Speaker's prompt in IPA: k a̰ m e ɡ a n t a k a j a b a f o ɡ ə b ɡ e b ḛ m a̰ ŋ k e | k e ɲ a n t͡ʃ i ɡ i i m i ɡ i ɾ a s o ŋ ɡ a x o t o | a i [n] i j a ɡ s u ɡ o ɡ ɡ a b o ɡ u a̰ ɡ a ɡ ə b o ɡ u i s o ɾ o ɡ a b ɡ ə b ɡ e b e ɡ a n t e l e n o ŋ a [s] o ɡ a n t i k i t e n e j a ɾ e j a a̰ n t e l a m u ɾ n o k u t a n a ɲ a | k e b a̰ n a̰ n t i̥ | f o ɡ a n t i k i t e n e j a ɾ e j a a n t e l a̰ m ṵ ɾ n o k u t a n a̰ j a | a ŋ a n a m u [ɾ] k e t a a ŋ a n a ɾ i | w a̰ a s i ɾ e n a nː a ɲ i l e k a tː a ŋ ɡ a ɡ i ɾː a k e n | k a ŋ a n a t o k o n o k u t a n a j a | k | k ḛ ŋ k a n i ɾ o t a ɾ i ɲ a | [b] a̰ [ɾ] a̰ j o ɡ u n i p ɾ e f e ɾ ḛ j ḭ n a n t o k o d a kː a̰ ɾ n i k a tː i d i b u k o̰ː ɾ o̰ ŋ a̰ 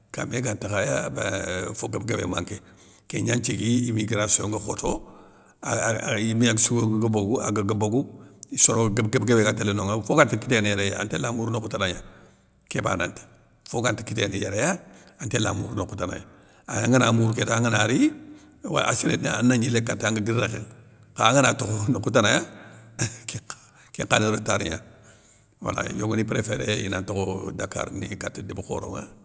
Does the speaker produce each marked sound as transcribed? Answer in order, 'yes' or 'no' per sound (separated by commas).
no, no, yes, no, no